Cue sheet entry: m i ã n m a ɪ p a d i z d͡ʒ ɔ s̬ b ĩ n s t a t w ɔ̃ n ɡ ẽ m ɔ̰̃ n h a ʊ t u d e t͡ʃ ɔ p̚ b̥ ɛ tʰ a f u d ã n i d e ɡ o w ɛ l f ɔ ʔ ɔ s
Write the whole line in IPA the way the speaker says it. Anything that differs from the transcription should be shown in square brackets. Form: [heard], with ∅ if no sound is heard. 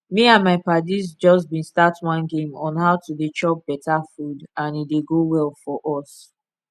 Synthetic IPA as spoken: m i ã n m a ɪ p a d i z d͡ʒ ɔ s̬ b ĩ n s t a t w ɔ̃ n ɡ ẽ m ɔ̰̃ n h a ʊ t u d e t͡ʃ ɔ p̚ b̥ ɛ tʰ a f u d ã n i d e ɡ o w ɛ l f ɔ ʔ ɔ s